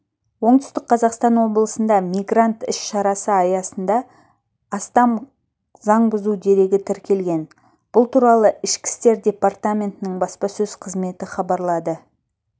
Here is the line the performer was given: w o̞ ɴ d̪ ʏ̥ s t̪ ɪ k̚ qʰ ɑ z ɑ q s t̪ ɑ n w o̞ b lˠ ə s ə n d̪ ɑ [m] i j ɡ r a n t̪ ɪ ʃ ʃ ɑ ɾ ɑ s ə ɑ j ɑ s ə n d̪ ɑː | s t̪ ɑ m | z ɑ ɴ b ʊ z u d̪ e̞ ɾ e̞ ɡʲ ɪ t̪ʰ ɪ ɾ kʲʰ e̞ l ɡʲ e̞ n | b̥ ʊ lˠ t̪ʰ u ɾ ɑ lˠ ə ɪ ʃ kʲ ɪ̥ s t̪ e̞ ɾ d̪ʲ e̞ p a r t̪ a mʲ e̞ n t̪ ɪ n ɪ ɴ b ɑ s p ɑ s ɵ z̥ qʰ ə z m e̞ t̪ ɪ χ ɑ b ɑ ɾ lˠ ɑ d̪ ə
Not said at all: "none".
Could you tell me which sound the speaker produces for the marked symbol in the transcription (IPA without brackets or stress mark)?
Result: m